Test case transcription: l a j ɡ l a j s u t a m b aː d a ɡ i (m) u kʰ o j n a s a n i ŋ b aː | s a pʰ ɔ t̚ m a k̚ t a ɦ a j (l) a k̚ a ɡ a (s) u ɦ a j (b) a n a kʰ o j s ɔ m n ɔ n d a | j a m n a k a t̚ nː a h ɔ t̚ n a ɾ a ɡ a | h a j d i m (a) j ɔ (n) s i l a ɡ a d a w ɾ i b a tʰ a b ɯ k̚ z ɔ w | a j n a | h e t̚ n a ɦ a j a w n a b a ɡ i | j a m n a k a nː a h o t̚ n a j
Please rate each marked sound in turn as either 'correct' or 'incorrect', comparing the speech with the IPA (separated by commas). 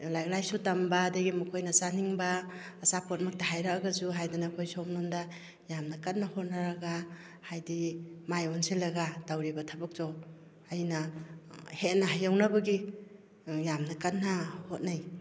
correct, incorrect, incorrect, incorrect, correct, correct